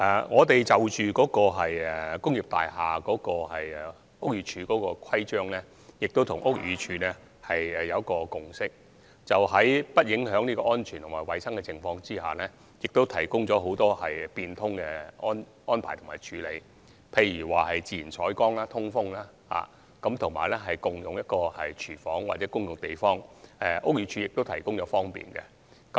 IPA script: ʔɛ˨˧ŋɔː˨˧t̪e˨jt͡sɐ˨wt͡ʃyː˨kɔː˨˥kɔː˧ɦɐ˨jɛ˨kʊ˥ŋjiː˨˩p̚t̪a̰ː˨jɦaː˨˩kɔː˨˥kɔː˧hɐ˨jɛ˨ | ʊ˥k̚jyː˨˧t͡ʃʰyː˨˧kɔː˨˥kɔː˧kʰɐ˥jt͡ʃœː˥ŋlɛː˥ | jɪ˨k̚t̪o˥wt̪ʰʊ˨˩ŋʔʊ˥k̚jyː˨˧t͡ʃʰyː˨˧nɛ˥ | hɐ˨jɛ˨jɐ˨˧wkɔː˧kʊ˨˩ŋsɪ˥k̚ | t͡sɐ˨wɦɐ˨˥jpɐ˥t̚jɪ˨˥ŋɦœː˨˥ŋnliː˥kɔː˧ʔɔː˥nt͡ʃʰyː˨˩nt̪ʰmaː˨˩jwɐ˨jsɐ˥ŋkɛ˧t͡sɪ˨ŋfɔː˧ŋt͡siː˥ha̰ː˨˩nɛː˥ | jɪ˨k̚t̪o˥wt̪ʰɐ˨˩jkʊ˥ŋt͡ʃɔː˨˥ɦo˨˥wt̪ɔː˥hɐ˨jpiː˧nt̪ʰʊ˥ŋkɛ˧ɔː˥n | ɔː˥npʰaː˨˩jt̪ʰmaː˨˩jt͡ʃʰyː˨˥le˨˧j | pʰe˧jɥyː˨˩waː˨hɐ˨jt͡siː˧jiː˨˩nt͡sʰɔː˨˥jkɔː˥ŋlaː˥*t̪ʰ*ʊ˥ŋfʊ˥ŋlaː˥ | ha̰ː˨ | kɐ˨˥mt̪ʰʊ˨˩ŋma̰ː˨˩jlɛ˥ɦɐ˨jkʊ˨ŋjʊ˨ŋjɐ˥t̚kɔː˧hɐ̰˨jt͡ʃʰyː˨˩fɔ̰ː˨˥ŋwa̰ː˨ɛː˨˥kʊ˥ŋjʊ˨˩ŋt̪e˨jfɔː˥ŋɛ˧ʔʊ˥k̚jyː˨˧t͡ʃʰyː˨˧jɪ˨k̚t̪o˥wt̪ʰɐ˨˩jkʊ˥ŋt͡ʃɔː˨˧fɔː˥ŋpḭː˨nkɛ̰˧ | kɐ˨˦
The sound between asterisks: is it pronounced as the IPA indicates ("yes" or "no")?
yes